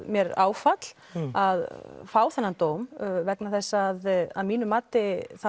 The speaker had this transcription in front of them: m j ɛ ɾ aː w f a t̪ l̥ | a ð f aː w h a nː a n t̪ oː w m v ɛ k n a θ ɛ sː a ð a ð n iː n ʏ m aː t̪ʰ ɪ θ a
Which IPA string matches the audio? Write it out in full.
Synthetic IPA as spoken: m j ɛ ɾ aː w f a t̪ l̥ | a ð f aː w θ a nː a n t̪ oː w m v ɛ k n a θ ɛ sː a ð a ð m iː n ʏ m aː t̪ ɪ θ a